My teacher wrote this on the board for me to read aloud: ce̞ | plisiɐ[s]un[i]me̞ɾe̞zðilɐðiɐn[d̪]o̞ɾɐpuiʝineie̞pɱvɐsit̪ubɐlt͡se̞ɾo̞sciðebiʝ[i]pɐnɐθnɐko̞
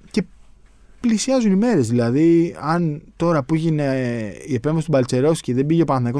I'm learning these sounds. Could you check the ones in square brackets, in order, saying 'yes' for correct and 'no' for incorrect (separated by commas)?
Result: no, yes, no, no